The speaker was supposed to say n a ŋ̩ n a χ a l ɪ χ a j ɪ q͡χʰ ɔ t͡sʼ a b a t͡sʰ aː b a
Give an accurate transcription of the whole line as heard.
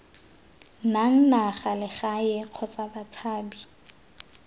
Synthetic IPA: n a ŋ̩ n a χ a l ɪ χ a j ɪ q͡χʰ ɔ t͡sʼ a b a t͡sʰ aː b i